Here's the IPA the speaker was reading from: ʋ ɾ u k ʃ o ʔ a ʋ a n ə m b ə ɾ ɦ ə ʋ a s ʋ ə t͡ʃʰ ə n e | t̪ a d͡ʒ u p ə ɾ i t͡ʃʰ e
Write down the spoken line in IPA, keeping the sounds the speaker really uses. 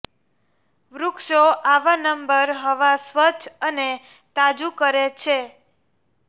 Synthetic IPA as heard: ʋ ɾ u k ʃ o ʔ a ʋ a n ə m b ə ɾ ɦ ə ʋ a s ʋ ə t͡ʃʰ ə n e | t̪ a d͡ʒ u k ə ɾ e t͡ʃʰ e